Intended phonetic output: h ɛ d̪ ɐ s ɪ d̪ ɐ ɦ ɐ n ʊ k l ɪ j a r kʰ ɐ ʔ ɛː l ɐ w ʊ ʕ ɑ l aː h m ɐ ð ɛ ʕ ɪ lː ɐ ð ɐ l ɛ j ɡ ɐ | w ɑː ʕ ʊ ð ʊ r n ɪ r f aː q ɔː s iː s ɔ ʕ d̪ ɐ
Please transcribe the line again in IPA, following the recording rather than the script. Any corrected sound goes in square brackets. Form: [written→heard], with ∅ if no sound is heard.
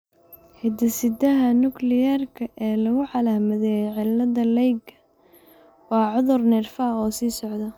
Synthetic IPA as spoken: h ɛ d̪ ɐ s ɪ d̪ ɐ ɦ ɐ n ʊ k l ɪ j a r kʰ ɐ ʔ ɛː l ɐ [w→ɣ] ʊ ʕ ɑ l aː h m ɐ ð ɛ ʕ ɪ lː ɐ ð ɐ l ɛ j ɡ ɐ | w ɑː ʕ ʊ ð ʊ r n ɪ r f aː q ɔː s iː s ɔ ʕ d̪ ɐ